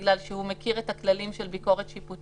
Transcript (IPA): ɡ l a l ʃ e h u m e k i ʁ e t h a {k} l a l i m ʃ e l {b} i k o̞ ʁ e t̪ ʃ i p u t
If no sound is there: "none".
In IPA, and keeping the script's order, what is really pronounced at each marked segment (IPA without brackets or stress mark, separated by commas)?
k, b